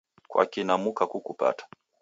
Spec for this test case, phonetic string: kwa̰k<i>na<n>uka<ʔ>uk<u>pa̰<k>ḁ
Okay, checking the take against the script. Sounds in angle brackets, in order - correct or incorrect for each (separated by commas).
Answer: correct, incorrect, incorrect, correct, incorrect